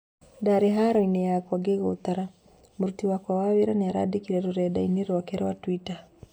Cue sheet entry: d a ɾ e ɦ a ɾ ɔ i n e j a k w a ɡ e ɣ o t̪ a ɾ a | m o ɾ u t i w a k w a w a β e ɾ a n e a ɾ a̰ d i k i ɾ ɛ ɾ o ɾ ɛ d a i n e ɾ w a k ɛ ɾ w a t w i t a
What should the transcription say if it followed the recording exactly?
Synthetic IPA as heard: d a ɾ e ɦ a ɾ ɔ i n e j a k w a ɡ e ɣ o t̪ a ɾ a | m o ɾ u t i w a k w a w a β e ɾ a n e a ɾ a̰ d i k i ɾ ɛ ɾ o ɾ ɛ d a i n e ɾ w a k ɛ ɾ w a t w i t a